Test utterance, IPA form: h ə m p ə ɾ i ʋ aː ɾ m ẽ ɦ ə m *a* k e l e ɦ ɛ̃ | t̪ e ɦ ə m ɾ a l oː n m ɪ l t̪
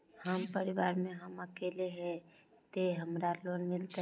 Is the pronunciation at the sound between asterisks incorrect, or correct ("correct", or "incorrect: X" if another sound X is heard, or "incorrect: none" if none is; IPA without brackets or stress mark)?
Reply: incorrect: ə